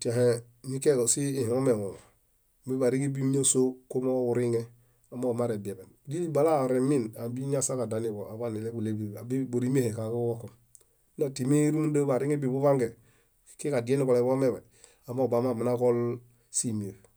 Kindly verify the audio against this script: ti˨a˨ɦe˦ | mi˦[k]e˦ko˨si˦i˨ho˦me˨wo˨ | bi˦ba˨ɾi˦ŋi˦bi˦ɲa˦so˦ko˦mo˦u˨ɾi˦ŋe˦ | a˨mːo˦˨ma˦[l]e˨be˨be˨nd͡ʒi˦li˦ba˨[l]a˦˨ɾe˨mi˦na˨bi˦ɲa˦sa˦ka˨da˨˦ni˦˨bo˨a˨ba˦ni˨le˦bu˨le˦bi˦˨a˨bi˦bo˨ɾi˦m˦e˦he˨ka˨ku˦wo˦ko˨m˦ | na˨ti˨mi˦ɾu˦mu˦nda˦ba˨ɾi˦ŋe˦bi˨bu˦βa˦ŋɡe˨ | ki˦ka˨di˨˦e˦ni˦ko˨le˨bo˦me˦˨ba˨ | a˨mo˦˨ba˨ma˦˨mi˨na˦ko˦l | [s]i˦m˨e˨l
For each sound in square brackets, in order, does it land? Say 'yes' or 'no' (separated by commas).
yes, no, yes, yes